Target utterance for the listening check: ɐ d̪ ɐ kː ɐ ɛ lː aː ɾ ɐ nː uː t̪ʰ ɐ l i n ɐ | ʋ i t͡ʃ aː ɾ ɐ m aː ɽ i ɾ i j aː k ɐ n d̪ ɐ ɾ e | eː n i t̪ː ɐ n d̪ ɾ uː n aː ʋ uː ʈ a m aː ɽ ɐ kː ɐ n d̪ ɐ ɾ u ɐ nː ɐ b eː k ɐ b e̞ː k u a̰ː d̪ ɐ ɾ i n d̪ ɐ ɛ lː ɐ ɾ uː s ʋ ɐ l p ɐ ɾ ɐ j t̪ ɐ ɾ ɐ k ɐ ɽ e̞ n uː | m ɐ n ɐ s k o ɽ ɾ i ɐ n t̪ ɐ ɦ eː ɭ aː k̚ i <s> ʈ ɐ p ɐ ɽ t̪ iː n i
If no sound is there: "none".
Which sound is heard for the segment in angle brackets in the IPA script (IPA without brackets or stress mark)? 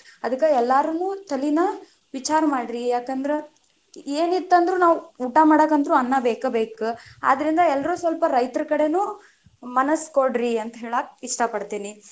ʂ